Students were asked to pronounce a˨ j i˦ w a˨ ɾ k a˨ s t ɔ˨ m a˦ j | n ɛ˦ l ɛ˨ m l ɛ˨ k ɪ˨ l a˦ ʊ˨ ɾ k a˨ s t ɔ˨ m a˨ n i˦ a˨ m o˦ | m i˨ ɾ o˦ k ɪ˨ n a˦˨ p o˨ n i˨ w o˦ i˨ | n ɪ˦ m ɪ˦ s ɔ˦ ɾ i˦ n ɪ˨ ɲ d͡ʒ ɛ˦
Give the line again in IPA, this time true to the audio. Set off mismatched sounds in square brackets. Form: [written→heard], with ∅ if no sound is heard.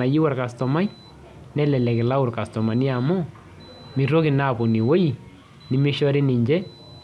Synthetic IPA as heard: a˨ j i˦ w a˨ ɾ k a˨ s t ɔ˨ m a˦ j | n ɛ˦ l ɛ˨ [m→∅] l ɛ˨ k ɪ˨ l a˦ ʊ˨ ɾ k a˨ s t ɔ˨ m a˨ n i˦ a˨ m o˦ | m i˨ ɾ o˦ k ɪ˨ n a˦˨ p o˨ n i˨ w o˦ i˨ | n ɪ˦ m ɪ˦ [s→ʃ] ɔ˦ ɾ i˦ n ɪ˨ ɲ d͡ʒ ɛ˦

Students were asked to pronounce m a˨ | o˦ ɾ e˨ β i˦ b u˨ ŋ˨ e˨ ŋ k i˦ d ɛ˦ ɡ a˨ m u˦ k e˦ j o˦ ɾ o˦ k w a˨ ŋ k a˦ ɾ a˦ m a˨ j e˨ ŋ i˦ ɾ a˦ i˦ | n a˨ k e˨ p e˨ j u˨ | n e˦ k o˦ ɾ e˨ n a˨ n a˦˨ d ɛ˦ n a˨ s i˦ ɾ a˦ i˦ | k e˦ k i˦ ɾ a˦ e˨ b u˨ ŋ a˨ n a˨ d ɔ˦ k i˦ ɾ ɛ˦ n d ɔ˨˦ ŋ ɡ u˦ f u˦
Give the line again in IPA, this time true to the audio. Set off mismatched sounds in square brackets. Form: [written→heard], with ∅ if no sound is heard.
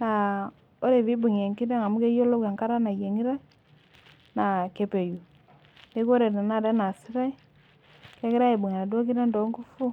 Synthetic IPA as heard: [m→n] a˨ | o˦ ɾ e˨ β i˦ b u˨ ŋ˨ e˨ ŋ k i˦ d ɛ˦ [ɡ→ŋ] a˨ m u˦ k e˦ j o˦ [ɾ→l] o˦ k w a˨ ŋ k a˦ ɾ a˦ [m→n] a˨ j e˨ ŋ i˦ ɾ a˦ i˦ | n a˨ k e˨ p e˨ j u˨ | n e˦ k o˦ ɾ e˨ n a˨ n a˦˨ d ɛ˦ n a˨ s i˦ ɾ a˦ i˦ | k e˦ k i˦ ɾ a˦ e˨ b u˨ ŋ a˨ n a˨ d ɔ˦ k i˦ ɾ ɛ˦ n d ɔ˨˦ ŋ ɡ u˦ f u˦

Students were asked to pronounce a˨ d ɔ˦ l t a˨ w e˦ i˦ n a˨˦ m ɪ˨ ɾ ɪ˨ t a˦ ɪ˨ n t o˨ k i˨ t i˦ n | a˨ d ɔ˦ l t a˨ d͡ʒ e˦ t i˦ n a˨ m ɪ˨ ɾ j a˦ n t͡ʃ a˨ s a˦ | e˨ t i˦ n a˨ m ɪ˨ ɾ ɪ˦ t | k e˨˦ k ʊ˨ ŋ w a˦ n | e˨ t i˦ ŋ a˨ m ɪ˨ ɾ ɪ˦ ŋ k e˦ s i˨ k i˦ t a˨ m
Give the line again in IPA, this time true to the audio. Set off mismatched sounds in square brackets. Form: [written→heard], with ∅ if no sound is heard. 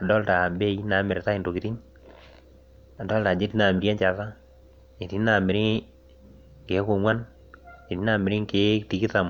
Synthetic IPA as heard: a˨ d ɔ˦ l t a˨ [w→b] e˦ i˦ n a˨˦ m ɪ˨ ɾ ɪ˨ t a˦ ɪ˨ n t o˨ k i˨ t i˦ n | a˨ d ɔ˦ l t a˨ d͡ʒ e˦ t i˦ n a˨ m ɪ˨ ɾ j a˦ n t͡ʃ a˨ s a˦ | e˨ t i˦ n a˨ m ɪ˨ ɾ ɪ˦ [t→∅] | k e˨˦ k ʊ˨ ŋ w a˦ n | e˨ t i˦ [ŋ→n] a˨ m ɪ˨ ɾ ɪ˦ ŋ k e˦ [s→t] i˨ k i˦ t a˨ m

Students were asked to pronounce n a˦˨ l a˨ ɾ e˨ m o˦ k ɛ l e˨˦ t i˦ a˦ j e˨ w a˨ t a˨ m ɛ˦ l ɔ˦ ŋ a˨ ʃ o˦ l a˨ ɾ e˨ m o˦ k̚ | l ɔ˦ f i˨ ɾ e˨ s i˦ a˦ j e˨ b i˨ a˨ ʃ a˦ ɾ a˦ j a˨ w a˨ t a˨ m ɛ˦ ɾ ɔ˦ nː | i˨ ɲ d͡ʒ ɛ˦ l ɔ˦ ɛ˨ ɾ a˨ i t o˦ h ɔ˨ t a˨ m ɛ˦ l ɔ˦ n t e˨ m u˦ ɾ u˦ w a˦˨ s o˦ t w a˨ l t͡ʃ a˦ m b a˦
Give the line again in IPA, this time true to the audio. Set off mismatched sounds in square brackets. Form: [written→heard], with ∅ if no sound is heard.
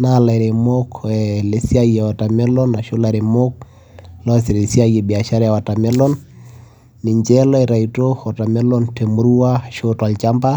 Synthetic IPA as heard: n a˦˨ l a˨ ɾ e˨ m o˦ k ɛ l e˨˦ [t→s] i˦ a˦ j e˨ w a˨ t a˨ m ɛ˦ l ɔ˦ [ŋ→n] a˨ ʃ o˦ l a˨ ɾ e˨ m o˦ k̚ | l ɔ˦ [f→s] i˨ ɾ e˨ s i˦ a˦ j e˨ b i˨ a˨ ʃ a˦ ɾ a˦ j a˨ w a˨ t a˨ m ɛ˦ [ɾ→l] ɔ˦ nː | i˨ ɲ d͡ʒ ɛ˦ l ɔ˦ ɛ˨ ɾ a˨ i t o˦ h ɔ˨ t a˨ m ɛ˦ l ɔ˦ n t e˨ m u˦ ɾ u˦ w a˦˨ [s→ʃ] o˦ t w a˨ l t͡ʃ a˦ m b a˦

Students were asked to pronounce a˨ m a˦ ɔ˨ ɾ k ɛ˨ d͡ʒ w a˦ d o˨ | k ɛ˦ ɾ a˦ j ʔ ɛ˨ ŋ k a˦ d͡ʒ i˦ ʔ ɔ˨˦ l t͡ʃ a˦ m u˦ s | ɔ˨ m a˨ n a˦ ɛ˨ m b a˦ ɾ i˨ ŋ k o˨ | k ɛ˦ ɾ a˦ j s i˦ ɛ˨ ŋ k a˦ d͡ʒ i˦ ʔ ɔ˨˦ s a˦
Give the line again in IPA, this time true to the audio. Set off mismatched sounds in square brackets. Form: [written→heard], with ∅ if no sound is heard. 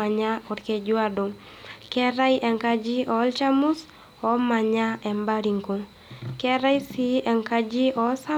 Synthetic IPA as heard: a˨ [m→ɲ] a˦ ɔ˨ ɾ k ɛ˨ d͡ʒ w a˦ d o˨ | k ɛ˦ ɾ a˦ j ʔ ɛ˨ ŋ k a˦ d͡ʒ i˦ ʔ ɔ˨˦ l t͡ʃ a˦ m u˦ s | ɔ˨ m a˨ [n→ɲ] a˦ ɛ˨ m b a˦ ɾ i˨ ŋ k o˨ | k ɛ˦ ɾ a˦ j s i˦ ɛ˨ ŋ k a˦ d͡ʒ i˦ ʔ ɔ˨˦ s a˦

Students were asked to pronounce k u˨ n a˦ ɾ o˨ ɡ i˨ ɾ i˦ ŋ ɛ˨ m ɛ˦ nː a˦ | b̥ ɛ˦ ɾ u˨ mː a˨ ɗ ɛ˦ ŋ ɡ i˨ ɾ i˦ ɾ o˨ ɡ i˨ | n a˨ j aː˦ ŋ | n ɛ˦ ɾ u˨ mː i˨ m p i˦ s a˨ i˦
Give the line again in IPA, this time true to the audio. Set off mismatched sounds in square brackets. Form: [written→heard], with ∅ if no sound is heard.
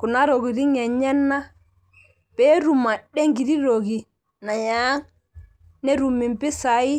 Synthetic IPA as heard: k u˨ n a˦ ɾ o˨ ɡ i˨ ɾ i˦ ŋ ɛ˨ [m→ɲ] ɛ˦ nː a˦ | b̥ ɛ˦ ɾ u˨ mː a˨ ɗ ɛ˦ ŋ ɡ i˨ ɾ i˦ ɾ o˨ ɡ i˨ | n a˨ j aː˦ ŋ | n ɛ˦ ɾ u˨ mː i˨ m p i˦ s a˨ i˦

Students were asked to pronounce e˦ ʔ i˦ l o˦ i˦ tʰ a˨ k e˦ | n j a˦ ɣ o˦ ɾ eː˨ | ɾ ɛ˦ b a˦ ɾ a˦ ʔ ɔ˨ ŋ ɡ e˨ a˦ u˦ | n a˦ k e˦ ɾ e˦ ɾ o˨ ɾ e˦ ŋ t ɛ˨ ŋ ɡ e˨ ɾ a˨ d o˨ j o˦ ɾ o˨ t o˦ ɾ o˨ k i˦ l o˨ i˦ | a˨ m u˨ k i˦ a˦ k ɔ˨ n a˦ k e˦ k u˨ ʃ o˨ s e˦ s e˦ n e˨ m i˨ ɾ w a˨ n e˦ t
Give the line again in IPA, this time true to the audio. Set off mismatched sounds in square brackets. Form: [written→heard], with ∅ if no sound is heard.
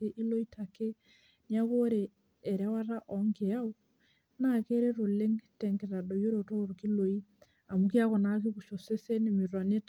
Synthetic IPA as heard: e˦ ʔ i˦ l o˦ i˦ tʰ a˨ k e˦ | n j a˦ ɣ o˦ ɾ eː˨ | ɾ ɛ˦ [b→w] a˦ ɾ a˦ ʔ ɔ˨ ŋ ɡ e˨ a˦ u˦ | n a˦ k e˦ ɾ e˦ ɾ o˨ [ɾ→l] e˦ ŋ t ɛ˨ ŋ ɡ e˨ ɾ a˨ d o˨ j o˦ ɾ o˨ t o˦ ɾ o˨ k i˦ l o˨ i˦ | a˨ m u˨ k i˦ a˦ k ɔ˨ n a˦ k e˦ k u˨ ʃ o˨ s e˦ s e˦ n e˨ m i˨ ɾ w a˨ n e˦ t

